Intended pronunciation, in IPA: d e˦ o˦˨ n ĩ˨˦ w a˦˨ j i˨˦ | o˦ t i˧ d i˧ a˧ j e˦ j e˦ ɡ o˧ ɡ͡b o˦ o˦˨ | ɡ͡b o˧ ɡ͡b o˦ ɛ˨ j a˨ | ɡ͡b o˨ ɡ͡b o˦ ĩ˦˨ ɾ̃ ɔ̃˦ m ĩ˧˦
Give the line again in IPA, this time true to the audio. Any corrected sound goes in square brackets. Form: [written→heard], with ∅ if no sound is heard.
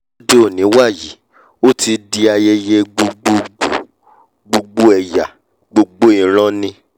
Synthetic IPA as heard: d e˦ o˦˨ n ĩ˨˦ w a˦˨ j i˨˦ | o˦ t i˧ d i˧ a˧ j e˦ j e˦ [ɡ→ɡ͡b] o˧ ɡ͡b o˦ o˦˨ | ɡ͡b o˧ ɡ͡b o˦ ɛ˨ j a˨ | ɡ͡b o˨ ɡ͡b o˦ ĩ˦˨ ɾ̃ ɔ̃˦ [m→n] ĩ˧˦